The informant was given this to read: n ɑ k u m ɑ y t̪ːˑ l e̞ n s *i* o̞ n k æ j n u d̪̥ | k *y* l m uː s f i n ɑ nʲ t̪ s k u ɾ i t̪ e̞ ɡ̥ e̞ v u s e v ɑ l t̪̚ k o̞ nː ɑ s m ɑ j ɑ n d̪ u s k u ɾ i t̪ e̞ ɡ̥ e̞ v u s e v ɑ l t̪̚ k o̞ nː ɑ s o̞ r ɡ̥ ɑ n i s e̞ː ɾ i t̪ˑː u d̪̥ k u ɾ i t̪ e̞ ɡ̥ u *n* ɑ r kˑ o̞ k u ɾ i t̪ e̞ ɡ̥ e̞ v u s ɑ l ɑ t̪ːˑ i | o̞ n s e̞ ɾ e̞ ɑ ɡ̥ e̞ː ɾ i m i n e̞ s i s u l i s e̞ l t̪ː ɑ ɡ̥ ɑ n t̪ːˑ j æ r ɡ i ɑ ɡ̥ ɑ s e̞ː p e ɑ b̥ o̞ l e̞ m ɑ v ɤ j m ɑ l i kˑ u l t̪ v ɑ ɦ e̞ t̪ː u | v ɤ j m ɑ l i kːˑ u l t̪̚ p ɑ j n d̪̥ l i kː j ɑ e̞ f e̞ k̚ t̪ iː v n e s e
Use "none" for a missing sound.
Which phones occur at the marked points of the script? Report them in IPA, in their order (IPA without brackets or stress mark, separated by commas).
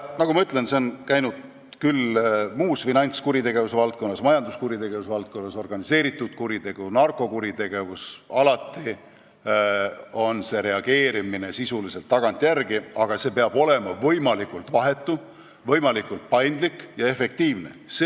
e, y, n